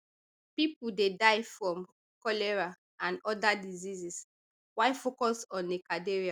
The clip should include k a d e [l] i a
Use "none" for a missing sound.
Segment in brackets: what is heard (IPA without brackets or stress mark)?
ɹ